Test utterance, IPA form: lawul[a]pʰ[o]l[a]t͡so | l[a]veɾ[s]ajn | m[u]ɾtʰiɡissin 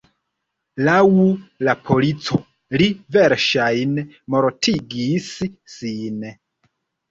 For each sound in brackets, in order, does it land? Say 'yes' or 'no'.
yes, yes, no, no, no, no

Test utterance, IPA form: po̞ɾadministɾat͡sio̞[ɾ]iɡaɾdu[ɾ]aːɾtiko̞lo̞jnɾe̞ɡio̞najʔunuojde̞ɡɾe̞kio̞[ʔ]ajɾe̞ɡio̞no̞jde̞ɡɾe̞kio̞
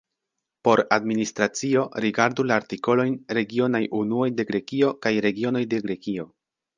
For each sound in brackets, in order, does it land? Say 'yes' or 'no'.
yes, no, no

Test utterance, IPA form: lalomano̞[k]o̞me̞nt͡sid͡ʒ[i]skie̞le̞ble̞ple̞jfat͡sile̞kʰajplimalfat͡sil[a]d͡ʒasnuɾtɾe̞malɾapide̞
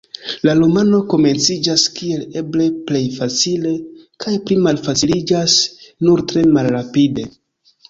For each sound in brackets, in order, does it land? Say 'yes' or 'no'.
yes, no, no

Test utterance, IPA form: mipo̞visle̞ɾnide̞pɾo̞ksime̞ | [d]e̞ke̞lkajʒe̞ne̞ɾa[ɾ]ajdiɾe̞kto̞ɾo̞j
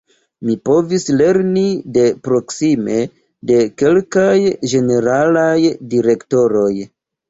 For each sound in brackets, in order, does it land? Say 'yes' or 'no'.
yes, no

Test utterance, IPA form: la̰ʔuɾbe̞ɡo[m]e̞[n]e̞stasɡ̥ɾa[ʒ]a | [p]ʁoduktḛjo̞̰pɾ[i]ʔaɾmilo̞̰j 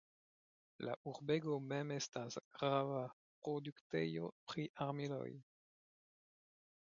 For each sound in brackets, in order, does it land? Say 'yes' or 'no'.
yes, no, no, yes, yes

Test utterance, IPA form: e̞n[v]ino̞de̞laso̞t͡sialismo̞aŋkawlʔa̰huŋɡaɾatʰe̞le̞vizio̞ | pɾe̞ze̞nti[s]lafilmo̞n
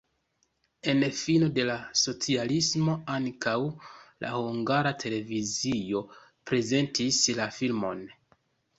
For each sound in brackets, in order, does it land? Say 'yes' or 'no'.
no, yes

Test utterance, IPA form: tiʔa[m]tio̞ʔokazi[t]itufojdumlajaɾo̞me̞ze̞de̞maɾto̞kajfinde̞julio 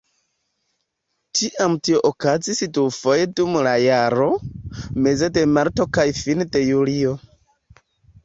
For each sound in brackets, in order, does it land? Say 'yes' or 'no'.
yes, no

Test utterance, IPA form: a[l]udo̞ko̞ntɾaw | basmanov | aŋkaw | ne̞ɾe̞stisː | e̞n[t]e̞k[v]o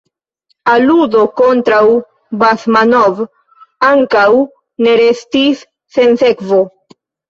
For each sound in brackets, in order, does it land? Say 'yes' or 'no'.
yes, no, yes

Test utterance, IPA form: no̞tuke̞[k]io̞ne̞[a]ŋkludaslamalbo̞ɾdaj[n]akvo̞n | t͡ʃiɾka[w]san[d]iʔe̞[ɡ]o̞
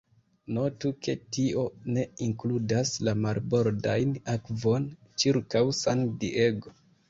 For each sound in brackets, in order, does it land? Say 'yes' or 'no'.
no, no, yes, yes, yes, yes

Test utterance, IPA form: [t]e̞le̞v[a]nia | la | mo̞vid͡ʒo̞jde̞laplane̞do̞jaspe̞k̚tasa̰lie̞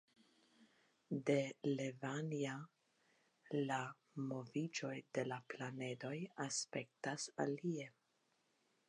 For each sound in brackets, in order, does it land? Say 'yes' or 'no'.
no, yes

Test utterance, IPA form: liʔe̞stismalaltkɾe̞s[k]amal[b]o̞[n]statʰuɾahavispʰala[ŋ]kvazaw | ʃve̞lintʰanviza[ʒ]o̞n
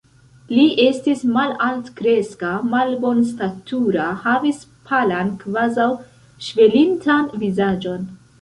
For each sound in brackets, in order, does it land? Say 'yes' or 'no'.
yes, yes, yes, no, no

